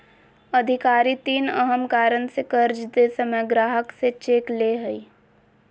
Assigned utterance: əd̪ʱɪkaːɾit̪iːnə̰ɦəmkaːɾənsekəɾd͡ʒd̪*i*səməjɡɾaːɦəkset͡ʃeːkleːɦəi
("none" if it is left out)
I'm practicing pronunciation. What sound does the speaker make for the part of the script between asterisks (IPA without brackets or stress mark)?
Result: e